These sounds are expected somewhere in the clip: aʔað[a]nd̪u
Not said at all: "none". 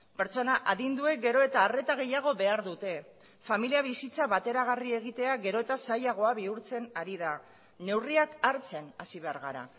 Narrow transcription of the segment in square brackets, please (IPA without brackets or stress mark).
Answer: i